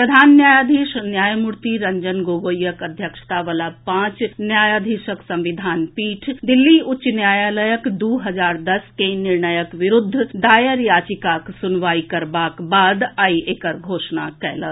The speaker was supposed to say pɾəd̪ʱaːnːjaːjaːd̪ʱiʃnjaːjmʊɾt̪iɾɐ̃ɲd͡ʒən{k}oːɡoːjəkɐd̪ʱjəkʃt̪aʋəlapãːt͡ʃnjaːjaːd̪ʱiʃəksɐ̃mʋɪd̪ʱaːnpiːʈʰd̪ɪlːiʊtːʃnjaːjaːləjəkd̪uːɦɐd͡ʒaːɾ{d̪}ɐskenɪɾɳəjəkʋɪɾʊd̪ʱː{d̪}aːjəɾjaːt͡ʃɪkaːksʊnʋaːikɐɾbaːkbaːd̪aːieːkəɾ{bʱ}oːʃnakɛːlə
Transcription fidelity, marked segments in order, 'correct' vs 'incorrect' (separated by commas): incorrect, correct, correct, incorrect